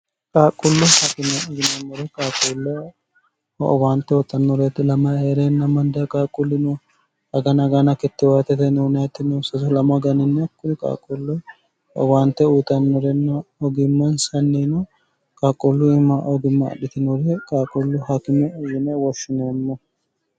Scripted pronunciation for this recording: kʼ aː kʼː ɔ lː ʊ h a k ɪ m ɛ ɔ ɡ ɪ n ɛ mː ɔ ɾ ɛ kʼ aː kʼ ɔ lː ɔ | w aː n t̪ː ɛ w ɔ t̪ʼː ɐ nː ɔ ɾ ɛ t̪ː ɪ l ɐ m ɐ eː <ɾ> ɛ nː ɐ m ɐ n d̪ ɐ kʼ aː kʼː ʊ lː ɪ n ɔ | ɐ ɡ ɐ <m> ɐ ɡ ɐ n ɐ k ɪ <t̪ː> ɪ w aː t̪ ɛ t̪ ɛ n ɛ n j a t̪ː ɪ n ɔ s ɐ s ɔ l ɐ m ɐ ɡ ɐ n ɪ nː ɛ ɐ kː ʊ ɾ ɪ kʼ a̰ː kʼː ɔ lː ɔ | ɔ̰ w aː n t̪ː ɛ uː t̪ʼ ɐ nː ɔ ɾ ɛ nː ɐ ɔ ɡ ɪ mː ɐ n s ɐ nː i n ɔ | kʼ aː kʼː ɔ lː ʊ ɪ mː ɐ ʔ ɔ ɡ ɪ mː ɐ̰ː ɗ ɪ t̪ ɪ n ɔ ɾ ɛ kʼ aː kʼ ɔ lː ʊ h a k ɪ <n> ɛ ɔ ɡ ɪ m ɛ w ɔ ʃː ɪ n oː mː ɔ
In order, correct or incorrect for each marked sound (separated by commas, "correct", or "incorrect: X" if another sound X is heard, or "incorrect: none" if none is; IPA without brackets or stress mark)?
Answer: correct, incorrect: n, correct, incorrect: m